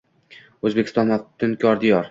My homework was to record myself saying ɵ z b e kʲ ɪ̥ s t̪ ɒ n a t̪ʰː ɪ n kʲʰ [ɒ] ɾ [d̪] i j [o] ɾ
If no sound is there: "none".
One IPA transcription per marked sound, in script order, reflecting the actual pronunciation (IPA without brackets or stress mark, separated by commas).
ɒ, d̪, ɒ